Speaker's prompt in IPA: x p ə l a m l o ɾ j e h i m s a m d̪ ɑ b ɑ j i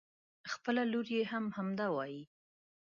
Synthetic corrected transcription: x p ə l a l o ɾ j e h a m h a m d̪ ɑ w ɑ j i